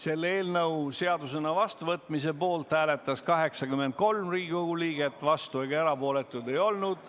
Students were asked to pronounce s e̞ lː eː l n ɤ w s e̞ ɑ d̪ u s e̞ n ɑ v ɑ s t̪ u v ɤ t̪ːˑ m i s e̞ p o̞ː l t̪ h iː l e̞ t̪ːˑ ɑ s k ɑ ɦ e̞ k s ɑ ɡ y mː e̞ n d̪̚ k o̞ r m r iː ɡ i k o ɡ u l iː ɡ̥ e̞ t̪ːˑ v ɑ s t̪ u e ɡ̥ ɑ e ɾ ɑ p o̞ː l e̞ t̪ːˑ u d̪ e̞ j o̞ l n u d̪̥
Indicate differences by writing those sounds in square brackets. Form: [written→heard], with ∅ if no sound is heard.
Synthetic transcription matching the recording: s e̞ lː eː l n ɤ w s e̞ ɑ d̪ u s e̞ n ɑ v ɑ s t̪ u v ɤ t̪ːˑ m i s e̞ p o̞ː l t̪ h [iː→æː] l e̞ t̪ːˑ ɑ s k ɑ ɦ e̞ k s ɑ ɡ y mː e̞ n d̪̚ k o̞ [r→l] m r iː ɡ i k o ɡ u l iː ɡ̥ e̞ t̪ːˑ v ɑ s t̪ u e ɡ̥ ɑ e ɾ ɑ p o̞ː l e̞ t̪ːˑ u d̪ e̞ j o̞ l n u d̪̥